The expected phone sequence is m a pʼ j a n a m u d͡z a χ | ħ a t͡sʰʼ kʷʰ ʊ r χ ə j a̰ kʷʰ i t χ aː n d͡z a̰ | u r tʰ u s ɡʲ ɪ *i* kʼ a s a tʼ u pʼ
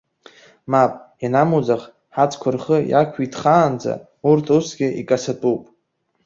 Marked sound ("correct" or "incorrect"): correct